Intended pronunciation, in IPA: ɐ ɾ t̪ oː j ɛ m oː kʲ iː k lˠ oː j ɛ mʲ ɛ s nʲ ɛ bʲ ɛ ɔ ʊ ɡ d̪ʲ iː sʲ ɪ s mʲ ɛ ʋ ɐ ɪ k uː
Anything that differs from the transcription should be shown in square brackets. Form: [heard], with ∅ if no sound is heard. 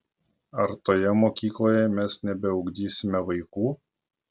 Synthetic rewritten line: ɐ ɾ t̪ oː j ɛ m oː kʲ iː k lˠ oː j ɛ mʲ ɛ s nʲ ɛ bʲ ɛ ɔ ʊ ɡ d̪ʲ iː sʲ ɪ [∅] mʲ ɛ ʋ ɐ ɪ k uː